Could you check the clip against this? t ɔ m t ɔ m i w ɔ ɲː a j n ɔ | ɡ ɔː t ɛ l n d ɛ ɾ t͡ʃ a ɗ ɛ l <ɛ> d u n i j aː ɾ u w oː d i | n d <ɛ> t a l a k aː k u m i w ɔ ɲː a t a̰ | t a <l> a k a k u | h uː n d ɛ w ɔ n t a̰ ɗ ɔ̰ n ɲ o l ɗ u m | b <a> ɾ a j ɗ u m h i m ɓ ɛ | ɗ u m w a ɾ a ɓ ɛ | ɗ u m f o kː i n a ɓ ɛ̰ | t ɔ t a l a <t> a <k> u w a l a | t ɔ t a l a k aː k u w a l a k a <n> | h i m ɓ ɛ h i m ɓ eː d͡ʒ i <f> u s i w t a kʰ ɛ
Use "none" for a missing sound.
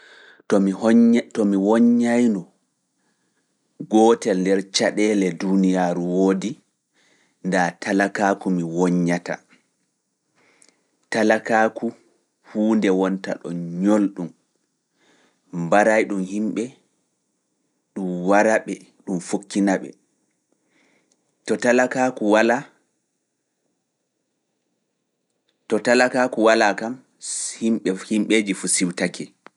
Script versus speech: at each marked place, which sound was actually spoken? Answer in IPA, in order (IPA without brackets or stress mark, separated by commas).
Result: ɛ, a, l, a, k, k, m, f